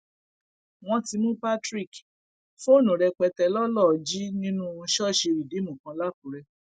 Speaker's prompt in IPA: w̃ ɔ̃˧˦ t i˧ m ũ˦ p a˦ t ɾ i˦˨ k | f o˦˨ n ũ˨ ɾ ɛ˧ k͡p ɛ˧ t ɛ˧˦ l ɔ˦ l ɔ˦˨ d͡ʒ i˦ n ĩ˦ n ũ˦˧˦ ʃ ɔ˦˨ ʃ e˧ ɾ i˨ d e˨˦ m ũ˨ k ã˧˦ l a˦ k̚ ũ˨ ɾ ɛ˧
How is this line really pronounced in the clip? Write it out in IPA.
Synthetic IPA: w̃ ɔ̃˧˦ t i˧ m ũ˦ p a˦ t ɾ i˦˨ k | f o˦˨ n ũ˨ ɾ ɛ˧ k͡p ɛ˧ t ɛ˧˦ l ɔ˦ l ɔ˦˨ d͡ʒ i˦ n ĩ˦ n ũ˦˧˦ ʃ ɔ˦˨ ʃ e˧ ɾ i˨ d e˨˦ m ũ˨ k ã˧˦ l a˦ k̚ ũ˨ ɾ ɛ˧